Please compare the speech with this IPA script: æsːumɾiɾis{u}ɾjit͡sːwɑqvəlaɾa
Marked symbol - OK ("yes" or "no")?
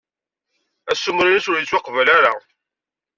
no